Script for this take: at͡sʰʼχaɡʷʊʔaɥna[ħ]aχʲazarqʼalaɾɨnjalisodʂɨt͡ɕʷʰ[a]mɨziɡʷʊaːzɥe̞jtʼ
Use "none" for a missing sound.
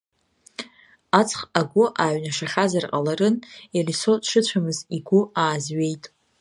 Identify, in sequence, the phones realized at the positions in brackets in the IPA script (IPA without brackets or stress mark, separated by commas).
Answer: ʂ, a